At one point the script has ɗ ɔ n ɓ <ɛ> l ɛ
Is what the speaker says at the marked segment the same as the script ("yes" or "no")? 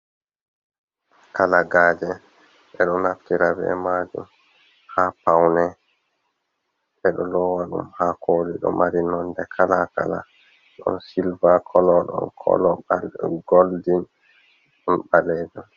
no